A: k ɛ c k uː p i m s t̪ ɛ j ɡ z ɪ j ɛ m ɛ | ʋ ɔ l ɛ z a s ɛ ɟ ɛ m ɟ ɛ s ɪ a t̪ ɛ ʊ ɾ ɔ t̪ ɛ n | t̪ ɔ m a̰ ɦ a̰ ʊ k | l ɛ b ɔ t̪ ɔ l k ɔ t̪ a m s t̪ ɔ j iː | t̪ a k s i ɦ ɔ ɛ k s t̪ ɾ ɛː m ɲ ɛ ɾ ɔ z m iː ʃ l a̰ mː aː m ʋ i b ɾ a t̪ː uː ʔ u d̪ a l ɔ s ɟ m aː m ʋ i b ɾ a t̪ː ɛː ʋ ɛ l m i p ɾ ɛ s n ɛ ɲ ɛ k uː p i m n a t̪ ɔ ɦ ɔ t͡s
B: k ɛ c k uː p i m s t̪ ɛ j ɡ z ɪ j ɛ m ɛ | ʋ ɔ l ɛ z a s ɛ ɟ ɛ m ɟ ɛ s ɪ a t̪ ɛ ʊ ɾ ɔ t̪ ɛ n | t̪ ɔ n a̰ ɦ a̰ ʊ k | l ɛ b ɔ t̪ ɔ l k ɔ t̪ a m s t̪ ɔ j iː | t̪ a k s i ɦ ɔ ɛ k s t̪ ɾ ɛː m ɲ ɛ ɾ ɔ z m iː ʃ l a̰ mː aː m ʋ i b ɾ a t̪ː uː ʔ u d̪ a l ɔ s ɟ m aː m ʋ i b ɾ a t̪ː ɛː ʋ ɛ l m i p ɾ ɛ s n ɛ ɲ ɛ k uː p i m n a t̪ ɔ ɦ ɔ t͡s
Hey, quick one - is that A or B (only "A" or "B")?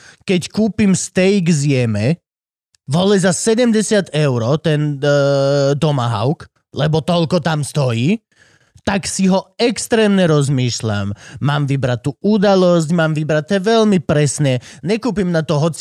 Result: A